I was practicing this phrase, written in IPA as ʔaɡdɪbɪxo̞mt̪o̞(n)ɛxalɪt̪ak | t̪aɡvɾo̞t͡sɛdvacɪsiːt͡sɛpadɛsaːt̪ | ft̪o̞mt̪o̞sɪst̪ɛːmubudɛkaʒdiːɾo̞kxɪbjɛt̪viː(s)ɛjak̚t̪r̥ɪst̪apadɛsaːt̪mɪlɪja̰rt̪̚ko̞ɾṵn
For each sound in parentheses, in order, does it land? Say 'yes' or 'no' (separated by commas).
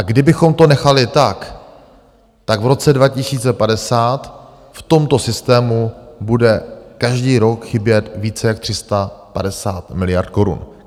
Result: yes, no